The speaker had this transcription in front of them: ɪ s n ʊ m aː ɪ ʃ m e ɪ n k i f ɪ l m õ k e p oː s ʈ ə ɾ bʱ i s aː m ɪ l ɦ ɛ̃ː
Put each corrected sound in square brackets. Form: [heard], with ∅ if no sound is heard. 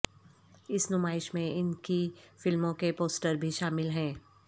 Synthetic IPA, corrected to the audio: ɪ s n ʊ m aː ɪ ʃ m [ẽ] ɪ n k i f ɪ l m õ k e p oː s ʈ ə ɾ bʱ i [ʃ] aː m ɪ l ɦ ɛ̃ː